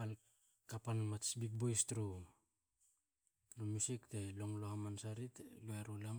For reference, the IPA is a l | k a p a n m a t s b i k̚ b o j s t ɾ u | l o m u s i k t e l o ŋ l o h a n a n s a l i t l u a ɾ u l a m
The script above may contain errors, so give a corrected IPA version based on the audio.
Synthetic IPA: a l | k a p a n m a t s b i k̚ b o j s t ɾ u | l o m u s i k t e l o ŋ l o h a m a n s a ɾ i t l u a ɾ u l a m